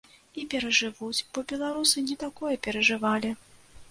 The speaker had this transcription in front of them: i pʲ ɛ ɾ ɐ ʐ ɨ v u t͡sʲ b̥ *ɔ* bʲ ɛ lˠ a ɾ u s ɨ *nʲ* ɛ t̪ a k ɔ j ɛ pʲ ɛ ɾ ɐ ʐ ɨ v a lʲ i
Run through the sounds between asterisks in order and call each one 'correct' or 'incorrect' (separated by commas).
correct, correct